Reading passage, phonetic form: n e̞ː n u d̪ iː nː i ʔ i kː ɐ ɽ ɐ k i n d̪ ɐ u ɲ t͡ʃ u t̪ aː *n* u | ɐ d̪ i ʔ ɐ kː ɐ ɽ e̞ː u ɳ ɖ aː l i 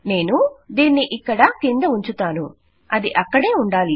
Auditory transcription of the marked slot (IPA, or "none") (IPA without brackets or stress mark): n